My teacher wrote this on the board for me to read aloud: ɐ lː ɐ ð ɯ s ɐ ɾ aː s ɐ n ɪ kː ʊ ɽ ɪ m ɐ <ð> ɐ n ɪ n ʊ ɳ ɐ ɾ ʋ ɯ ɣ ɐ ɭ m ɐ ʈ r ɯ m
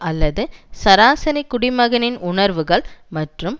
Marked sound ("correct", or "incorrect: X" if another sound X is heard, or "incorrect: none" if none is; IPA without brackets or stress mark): incorrect: ɣ